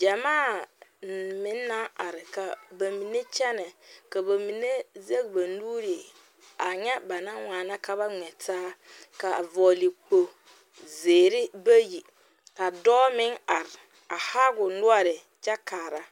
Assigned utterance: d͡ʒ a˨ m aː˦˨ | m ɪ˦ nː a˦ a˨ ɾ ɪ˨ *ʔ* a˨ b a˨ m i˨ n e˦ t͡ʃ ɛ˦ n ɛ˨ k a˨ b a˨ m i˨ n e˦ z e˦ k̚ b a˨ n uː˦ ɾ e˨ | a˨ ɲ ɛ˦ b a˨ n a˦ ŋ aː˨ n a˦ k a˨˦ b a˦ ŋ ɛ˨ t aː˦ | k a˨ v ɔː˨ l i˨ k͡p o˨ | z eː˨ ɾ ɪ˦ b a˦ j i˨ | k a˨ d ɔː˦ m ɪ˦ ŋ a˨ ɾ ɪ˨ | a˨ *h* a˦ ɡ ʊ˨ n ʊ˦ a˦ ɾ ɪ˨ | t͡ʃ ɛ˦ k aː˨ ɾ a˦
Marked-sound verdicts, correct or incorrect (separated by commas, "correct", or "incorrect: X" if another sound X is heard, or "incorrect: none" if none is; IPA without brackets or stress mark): incorrect: k, correct